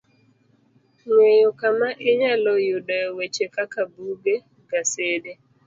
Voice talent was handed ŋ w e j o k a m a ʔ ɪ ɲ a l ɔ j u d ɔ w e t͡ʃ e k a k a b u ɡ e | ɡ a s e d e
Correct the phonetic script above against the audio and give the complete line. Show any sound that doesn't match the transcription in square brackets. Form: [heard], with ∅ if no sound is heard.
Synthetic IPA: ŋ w e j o k a m a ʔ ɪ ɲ a l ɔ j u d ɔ w e t͡ʃ e k a k a b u ɡ e | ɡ a s e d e